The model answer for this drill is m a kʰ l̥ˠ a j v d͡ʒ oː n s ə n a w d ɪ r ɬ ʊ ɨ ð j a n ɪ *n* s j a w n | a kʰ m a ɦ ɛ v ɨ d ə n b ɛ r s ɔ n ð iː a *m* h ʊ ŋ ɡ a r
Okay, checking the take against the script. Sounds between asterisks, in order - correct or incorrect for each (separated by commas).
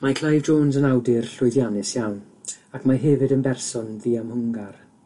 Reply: incorrect, correct